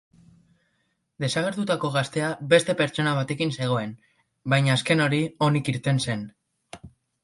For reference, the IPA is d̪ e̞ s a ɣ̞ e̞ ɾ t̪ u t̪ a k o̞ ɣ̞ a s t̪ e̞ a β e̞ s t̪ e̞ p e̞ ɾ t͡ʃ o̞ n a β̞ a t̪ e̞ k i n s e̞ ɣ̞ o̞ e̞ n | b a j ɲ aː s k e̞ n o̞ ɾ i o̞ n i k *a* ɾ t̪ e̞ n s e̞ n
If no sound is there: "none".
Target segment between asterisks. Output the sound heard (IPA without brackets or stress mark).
i